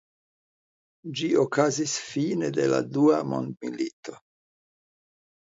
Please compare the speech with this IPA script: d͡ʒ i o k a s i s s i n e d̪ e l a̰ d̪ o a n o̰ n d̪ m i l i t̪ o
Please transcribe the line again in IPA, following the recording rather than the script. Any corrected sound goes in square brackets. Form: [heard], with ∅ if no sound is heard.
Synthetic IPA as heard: d͡ʒ i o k a [z] i s [f] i n e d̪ e l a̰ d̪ [u] a [m] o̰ n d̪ m i l i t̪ o